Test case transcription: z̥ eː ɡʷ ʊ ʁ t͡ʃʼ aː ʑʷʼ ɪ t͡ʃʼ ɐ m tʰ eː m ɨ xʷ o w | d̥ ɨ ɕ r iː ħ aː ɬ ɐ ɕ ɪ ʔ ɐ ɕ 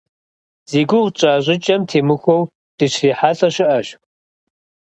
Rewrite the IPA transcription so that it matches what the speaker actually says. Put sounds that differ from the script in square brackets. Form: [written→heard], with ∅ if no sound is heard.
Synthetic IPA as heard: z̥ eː ɡʷ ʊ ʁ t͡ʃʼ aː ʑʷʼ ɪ t͡ʃʼ ɐ m tʰ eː m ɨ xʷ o w | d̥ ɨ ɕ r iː ħ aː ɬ ɐ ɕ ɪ ʔ ɐ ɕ